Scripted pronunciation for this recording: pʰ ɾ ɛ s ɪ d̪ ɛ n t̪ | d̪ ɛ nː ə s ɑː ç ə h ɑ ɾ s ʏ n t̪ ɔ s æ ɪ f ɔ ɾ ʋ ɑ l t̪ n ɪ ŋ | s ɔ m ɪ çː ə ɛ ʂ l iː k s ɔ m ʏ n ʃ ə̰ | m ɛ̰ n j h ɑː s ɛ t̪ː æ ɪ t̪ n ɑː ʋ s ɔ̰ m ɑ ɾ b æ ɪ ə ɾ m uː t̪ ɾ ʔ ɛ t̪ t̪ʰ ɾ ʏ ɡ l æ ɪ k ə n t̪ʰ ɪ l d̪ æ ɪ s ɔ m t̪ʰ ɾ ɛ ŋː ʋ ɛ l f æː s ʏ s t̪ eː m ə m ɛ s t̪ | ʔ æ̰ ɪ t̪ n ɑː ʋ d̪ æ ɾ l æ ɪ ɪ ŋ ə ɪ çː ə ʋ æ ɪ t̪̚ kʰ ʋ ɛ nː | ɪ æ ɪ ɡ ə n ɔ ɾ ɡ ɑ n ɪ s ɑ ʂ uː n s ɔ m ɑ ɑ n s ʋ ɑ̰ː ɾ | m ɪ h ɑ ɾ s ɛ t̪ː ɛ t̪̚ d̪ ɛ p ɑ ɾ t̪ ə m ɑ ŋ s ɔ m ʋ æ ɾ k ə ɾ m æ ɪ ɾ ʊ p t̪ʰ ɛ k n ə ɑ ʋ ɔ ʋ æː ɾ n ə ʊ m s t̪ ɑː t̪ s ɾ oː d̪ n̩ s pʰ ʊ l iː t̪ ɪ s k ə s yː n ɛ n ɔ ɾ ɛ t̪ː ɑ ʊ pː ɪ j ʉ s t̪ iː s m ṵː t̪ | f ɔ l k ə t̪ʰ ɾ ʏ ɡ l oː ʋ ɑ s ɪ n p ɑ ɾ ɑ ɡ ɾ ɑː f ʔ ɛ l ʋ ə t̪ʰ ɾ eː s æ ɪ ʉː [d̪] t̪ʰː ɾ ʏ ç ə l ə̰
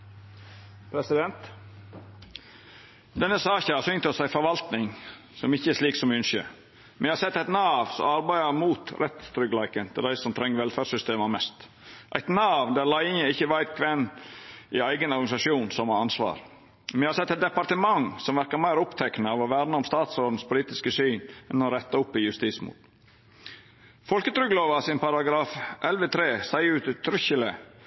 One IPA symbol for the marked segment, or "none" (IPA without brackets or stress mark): t̪